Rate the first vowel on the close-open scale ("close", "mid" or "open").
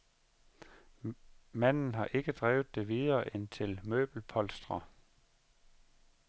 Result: open